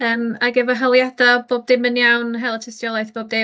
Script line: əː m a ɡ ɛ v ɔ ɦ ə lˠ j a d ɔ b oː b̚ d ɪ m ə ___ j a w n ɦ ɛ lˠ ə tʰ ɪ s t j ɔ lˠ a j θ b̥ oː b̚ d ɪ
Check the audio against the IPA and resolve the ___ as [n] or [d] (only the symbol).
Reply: n